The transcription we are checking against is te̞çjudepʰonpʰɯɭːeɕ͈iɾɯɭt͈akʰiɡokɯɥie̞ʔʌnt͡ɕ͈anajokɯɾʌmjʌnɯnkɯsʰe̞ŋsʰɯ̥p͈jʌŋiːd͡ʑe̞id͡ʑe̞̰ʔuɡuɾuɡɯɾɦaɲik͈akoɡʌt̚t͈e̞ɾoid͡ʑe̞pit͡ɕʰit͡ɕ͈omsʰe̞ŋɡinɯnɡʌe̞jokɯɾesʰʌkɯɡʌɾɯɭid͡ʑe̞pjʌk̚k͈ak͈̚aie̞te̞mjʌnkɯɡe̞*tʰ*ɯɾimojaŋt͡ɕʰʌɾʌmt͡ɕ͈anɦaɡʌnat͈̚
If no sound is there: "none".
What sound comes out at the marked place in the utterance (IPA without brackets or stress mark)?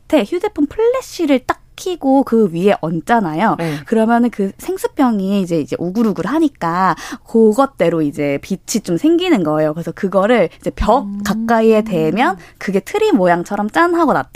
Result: tʰ